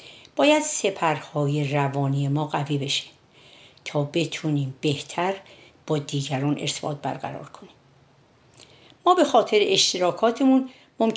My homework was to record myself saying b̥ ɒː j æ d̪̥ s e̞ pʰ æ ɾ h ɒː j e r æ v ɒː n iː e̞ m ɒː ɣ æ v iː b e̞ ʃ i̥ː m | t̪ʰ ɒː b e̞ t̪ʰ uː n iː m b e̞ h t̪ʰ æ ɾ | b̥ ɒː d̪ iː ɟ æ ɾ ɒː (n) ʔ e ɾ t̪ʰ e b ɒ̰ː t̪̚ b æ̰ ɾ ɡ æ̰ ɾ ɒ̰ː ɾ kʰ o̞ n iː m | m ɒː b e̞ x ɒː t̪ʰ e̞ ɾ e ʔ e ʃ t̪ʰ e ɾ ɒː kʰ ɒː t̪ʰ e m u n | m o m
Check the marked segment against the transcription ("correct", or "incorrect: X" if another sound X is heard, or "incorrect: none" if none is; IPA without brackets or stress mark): correct